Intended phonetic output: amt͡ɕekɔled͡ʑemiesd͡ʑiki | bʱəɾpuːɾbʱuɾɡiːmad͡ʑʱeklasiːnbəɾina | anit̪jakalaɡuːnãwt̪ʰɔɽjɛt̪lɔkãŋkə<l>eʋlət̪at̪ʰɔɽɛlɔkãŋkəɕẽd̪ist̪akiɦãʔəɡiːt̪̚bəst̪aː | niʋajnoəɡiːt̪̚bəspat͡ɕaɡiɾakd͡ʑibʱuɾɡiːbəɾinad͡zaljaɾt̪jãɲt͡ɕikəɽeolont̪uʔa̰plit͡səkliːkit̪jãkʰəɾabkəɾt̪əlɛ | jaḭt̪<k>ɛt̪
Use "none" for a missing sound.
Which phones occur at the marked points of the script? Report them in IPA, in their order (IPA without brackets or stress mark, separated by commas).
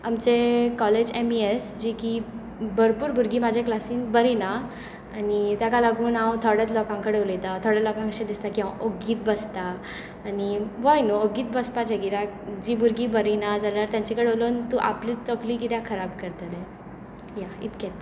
ɽ, k